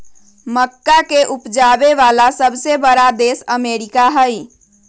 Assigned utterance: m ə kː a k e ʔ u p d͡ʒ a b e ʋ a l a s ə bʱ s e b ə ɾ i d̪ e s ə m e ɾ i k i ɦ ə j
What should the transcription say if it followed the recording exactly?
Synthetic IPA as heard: m ə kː a k e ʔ u p d͡ʒ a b e ʋ a l a s ə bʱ s e b ə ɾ a d̪ e s ə m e ɾ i k a ɦ ə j